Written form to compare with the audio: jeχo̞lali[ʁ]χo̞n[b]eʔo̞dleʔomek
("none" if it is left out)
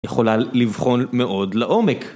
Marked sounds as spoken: v, m

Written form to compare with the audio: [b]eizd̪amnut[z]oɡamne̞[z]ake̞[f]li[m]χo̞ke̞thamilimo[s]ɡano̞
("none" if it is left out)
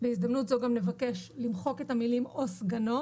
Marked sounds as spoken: b, z, v, ʃ, m, s

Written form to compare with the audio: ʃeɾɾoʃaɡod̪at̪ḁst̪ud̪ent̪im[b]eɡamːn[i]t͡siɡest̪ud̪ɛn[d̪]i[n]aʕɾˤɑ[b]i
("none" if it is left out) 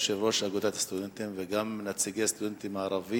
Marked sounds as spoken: v, a, t̪, m, v

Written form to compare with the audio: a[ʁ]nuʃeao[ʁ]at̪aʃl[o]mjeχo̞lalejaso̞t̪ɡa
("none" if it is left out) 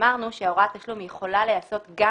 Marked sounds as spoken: ʁ, ʁ, u

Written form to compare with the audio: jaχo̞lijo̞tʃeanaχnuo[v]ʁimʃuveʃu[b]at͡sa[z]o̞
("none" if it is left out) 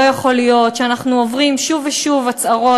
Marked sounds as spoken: v, v, ʁ

